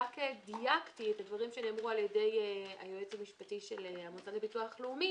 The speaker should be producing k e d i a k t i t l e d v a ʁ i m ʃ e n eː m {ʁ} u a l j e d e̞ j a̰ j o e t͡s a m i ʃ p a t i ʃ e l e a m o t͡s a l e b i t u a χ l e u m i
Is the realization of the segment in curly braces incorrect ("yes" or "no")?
no